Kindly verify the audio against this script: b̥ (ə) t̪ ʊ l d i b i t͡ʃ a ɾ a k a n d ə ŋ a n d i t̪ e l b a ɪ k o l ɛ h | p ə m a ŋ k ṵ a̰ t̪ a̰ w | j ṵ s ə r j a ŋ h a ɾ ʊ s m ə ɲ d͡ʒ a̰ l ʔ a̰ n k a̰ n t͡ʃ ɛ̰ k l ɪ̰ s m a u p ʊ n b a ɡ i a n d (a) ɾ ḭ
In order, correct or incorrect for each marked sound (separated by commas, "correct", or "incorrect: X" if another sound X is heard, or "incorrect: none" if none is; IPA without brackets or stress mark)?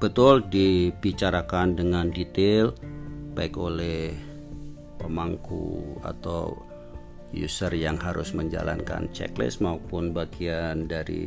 correct, correct